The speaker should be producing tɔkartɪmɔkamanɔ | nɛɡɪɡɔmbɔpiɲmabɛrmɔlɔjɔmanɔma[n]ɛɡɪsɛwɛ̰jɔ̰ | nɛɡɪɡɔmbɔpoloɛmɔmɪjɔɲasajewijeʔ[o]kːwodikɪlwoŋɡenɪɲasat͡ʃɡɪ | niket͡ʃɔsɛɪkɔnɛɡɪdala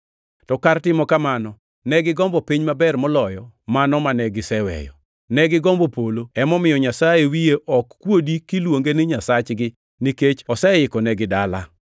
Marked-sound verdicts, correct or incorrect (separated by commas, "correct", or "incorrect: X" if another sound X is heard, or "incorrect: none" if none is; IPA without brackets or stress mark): correct, incorrect: ɔ